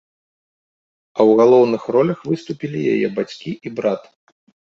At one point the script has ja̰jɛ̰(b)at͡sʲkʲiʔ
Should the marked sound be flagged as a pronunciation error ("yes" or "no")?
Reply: no